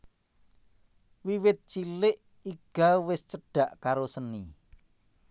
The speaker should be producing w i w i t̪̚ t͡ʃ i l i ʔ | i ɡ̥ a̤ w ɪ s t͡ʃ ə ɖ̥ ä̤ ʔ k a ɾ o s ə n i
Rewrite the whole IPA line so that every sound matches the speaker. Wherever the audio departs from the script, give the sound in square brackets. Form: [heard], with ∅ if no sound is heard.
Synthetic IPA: w i w [ɪ] t̪̚ t͡ʃ i l [ɪ] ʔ | i ɡ̥ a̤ w ɪ s t͡ʃ ə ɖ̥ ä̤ ʔ k a ɾ o s ə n i